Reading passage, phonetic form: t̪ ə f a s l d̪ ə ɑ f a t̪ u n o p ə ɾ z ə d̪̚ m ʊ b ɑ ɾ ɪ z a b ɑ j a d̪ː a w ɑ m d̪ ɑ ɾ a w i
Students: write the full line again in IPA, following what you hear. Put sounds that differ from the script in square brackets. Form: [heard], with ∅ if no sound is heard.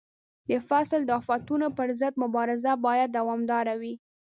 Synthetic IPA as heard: [d̪] ə f a s l d̪ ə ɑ f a t̪ u n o p ə ɾ z ə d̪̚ m ʊ b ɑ ɾ ɪ z a b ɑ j a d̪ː a w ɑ m d̪ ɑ ɾ a w i